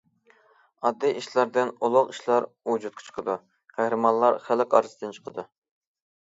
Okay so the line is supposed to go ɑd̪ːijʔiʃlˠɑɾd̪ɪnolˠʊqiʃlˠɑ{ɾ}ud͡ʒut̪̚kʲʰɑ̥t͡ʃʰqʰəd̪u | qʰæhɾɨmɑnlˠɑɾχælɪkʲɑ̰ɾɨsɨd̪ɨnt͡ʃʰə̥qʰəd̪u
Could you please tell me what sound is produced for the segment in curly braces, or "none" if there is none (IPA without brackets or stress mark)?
ɾ